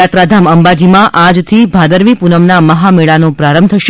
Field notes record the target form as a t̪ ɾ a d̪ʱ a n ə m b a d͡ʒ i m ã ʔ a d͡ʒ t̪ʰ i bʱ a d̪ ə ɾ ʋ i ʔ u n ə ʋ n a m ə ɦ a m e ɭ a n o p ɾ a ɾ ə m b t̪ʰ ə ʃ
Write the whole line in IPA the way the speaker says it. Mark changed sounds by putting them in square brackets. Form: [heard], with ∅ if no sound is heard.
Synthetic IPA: a t̪ ɾ a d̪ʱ a [m] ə m b a d͡ʒ i m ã ʔ a d͡ʒ t̪ʰ i bʱ a d̪ ə ɾ ʋ i [p] u n ə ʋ n a m ə ɦ a m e ɭ a n o p ɾ a ɾ ə m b t̪ʰ ə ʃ